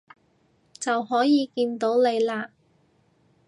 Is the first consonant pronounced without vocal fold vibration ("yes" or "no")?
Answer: yes